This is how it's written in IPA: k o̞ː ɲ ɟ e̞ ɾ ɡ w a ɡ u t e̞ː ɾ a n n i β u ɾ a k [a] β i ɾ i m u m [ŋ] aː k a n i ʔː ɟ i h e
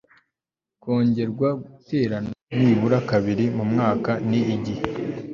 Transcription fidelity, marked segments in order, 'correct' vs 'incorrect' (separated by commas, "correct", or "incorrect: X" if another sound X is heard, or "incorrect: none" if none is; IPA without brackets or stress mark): correct, correct